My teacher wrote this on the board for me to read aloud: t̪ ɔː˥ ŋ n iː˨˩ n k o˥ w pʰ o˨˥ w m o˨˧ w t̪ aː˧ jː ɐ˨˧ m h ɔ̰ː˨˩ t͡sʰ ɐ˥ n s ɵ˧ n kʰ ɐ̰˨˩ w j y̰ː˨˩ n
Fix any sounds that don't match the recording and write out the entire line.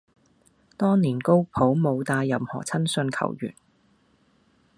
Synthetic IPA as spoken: t̪ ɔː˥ ŋ n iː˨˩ n k o˥ w pʰ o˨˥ w m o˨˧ w t̪ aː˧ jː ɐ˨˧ m h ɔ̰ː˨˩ t͡sʰ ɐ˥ n s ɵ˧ n kʰ ɐ̰˨˩ w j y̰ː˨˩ n